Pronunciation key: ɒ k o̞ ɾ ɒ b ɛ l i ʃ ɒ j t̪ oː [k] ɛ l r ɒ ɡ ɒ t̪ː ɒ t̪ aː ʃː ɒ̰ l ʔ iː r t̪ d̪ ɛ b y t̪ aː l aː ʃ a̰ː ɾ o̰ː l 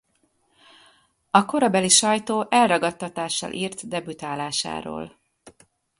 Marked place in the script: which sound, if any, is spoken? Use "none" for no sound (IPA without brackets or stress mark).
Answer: ʔ